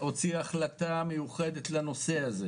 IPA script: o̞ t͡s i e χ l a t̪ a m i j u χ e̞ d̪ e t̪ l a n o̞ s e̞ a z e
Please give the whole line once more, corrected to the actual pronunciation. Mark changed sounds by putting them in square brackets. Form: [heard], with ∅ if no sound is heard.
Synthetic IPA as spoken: o̞ t͡s i [a] χ l a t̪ a m [e] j u χ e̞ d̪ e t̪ l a n o̞ s e̞ a z e

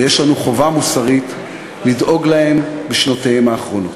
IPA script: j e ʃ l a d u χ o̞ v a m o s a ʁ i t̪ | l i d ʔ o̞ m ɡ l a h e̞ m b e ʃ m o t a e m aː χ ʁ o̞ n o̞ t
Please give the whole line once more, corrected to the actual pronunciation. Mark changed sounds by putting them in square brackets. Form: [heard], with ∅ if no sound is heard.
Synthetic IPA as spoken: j e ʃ l a [n] u χ o̞ v a m [u] s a ʁ i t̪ | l i d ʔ o̞ [∅] ɡ l a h e̞ m b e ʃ [n] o t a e m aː χ ʁ o̞ n o̞ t

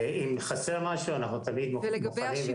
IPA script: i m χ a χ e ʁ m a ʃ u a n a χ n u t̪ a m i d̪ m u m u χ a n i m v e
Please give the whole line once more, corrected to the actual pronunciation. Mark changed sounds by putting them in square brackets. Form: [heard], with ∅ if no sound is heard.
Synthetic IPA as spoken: i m χ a [s] e ʁ m a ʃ u a n a χ n u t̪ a m i d̪ m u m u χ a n i m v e

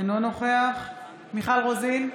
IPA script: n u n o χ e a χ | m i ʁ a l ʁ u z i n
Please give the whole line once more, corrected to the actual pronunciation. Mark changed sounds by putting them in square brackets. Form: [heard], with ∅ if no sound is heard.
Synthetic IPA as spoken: n [o] n o χ e a χ | m i [χ] a l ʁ [o] z i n

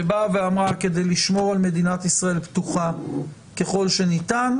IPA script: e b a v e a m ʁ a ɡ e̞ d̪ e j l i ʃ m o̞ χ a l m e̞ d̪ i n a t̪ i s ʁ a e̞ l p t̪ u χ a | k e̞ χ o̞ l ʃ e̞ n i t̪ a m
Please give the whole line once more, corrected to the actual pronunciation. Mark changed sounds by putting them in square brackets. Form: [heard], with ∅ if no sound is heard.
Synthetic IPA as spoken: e b a v e a m ʁ a [k] e̞ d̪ e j l i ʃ m o̞ [ʁ] a l m e̞ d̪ i n a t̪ i s ʁ a e̞ l p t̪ u χ a | k e̞ χ o̞ l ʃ e̞ n i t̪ a [n]

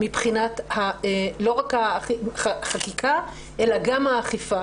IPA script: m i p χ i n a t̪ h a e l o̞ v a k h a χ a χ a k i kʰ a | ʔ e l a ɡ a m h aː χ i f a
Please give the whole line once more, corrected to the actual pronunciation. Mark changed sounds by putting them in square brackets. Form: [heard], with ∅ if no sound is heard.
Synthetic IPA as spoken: m i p χ i n a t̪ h a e l o̞ [ʁ] a k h a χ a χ a k i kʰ a | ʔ e l a ɡ a m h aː χ i f a

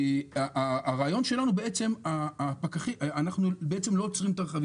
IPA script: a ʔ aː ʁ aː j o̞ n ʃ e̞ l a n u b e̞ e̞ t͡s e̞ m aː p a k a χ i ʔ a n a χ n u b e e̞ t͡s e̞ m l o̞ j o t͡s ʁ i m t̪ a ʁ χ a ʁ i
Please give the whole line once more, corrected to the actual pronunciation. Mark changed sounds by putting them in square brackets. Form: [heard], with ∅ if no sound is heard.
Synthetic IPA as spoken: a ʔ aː ʁ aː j o̞ n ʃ e̞ l a n u b e̞ e̞ t͡s e̞ m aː p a k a χ i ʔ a n a χ n u b e e̞ t͡s e̞ m l o̞ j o t͡s ʁ i m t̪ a ʁ χ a [v] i

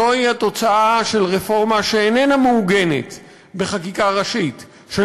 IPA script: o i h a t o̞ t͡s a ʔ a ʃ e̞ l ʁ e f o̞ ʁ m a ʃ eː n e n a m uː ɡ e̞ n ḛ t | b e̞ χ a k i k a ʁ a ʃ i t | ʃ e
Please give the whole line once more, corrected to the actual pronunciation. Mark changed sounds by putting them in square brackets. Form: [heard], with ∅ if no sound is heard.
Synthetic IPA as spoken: o i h a t o̞ t͡s a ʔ a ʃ e̞ l ʁ e f o̞ ʁ m a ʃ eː n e n a m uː ɡ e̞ n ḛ t | b e̞ χ a k i k a ʁ a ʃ i t | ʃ e

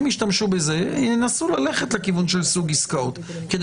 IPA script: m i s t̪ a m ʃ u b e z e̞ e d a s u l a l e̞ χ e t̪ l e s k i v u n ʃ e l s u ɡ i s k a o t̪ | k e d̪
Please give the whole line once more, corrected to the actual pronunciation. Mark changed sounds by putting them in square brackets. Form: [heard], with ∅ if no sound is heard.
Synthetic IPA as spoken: m i [ʃ] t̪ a m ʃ u b e z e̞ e [n] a s u l a l e̞ χ e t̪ l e [∅] k i v u n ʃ e l s u ɡ i s k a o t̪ | k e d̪

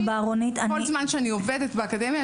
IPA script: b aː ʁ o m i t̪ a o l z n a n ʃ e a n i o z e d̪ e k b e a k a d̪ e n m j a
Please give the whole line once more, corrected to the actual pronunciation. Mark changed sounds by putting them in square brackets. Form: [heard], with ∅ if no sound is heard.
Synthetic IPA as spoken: b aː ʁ o [n] i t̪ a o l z [m] a n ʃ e a n i o [v] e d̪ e [t] b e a k a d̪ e [∅] m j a

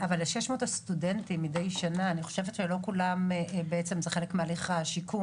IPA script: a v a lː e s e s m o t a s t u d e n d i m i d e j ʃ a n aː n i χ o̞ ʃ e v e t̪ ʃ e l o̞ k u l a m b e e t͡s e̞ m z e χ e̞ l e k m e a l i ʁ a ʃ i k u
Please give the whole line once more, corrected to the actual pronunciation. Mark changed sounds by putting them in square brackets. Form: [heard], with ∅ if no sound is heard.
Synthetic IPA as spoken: a v a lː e [ʃ] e [ʃ] m o t a s t u d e n [t] i m i d e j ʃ a n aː n i χ o̞ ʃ e v e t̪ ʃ e l o̞ k u l a m b e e t͡s e̞ m z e χ e̞ l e k m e a l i [χ] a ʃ i k u

